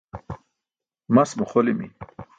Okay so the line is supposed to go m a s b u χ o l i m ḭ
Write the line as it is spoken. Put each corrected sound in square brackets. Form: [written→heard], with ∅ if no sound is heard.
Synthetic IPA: m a s [b→m] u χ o l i m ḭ